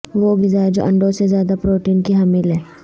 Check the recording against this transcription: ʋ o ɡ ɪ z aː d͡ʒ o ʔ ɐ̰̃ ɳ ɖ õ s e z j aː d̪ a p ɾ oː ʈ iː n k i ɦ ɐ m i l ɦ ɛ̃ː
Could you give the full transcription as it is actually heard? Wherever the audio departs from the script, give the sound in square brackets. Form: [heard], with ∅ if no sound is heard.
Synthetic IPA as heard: ʋ o ɡ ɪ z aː d͡ʒ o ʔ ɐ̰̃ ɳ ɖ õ s e z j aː d̪ a p ɾ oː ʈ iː n k i ɦ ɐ m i l ɦ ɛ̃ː